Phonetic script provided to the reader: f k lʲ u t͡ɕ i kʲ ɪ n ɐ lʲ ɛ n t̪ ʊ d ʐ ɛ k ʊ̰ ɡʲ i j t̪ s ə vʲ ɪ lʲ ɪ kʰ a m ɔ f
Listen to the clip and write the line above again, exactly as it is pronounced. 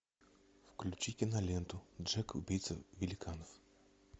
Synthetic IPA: f k lʲ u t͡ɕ i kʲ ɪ n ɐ lʲ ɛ n t̪ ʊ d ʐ ɛ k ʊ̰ bʲ i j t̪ s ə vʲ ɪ lʲ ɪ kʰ a n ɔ f